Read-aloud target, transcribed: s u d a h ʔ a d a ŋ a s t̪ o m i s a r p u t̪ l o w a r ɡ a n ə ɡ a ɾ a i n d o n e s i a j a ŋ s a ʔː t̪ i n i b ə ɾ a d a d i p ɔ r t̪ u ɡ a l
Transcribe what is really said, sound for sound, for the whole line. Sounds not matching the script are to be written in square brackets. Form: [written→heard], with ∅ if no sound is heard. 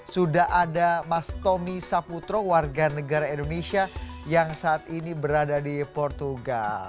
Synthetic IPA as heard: s u d a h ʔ a d a [ŋ→m] a s t̪ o m i s a [r→∅] p u t̪ [l→ɾ] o w a r ɡ a n ə ɡ a ɾ a i n d o n e s i a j a ŋ s a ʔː t̪ i n i b ə ɾ a d a d i p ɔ r t̪ u ɡ a l

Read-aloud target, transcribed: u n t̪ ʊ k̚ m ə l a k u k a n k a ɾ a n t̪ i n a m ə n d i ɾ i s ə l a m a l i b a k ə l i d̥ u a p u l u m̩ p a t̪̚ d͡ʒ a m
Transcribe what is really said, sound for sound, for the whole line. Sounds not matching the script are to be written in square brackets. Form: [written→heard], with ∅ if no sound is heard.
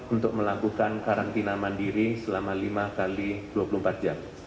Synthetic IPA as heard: u n t̪ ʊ k̚ m ə l a k u k a n k a ɾ a n t̪ i n a m [ə→a] n d i ɾ i s ə l a m a l i [b→m] a k [ə→a] l i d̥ u a p u l u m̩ p a t̪̚ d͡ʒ a m

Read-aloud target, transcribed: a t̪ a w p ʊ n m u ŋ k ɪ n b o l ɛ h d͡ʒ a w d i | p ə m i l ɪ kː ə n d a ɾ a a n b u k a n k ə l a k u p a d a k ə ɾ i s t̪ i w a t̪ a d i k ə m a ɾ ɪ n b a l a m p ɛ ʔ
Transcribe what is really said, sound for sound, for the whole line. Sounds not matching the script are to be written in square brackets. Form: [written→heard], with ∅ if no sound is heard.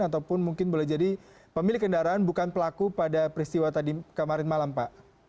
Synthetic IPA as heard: a t̪ a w p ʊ n m u ŋ k ɪ n b o l ɛ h d͡ʒ a [w→∅] d i | p ə m i l ɪ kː ə n d a ɾ a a n b u k a n [k→p] ə l a k u p a d a [k→p] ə ɾ i s t̪ i w a t̪ a d i k ə m a ɾ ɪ n [b→m] a l a m p [ɛ→a] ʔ

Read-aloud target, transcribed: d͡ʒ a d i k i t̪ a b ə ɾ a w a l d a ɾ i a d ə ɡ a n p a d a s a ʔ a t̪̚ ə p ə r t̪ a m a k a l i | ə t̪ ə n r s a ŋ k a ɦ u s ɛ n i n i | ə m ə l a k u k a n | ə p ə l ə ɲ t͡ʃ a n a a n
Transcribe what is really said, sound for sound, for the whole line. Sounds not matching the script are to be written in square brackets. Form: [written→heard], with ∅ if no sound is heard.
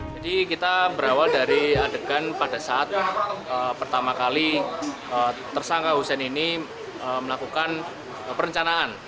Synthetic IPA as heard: d͡ʒ a d i k i t̪ a b ə ɾ a w a l d a ɾ i a d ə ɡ a n p a d a s a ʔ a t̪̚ ə p ə r t̪ a m a k a l i | ə t̪ ə [n→∅] r s a ŋ k a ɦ u s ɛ n i n i | ə m ə l a k u k a n | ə p ə [l→ɾ] ə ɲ t͡ʃ a n a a n

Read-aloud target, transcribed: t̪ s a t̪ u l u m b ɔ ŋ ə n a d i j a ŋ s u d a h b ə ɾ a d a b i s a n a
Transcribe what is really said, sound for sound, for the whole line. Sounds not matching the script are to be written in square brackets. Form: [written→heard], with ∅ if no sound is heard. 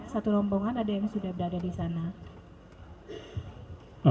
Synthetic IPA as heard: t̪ s a t̪ u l [u→ɔ] m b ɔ ŋ [ə→a] n a d [i→a] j a ŋ s u d a h b ə ɾ a d a [b→d] i s a n a

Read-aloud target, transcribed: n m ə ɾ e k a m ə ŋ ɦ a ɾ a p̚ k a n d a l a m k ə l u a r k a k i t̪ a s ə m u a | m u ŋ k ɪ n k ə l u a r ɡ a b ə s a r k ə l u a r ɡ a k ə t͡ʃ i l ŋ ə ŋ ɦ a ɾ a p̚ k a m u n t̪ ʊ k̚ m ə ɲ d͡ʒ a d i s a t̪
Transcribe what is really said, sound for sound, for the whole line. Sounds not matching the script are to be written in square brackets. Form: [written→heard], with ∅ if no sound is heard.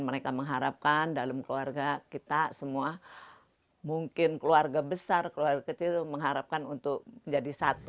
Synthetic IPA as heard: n m ə ɾ e k a m ə ŋ ɦ a ɾ a p̚ k a n d a l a m k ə l u a r [k→ɡ] a k i t̪ a s ə m u a | m u ŋ k ɪ n k ə l u a r ɡ a b ə s a r k ə l u a r ɡ a k ə t͡ʃ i l [ŋ→m] ə ŋ ɦ a ɾ a p̚ k a [m→n] u n t̪ ʊ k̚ m ə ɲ d͡ʒ a d i s a t̪

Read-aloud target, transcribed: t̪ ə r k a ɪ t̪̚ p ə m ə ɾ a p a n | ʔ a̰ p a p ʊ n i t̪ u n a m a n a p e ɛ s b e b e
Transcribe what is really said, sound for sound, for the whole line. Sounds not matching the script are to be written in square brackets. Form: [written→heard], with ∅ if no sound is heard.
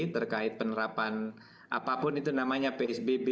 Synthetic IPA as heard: t̪ ə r k a ɪ t̪̚ p ə [m→n] ə ɾ a p a n | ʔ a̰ p a p ʊ n i t̪ u n a m a [n→ɲ] a p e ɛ s b e b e

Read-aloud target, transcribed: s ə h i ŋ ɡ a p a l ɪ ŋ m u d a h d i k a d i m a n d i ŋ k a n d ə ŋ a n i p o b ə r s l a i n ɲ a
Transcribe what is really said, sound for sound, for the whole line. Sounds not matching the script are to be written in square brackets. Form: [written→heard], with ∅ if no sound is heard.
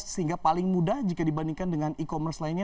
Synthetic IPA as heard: s ə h i ŋ ɡ a p a l ɪ ŋ m u d a h [d→d͡ʒ] i k a d i [m→b] a n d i ŋ k a n d ə ŋ a n i [p→k] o [b→m] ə r s l a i n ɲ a

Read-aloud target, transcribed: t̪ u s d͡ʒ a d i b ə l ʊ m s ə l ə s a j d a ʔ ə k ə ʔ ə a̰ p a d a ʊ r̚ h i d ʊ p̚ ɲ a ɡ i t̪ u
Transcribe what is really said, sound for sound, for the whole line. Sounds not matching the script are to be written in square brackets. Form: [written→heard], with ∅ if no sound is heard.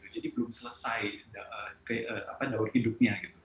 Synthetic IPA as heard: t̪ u [s→∅] d͡ʒ a d i b ə l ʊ m s ə l ə s a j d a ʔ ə k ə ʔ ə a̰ p a d a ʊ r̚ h i d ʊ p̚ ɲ a ɡ i t̪ u

